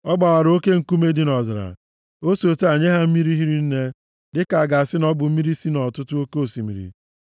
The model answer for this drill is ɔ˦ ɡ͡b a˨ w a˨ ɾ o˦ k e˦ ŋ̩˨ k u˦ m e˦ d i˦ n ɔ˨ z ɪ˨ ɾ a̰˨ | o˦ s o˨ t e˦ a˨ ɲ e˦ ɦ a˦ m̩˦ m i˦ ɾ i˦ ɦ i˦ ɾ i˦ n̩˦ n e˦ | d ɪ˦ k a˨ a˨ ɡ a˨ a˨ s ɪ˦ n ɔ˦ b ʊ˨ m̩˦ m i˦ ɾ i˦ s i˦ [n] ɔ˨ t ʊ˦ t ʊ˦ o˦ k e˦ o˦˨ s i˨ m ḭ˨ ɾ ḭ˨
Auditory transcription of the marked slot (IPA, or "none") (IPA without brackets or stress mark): n